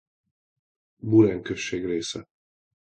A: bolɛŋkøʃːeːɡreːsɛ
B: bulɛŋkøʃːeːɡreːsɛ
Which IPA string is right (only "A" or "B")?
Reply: B